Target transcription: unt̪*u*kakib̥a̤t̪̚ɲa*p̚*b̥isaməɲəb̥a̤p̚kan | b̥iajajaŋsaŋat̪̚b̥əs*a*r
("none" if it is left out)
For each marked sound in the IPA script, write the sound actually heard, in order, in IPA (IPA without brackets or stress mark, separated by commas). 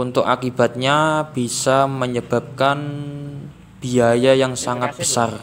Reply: ʊ, none, a